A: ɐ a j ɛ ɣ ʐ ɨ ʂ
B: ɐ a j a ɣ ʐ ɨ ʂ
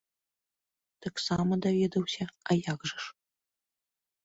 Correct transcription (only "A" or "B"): B